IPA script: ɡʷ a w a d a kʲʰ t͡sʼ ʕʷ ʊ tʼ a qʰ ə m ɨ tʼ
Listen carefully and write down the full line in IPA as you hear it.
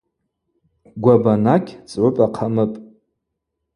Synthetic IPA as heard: ɡʷ a b a n a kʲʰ t͡sʼ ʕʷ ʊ pʼ a qʰ a m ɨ pʼ